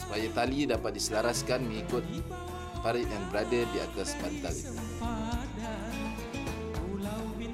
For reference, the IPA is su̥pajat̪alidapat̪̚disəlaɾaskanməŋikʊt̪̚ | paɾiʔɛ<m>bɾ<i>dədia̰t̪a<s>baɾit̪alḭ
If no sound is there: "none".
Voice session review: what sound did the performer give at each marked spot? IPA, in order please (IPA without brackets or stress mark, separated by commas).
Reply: n, a, s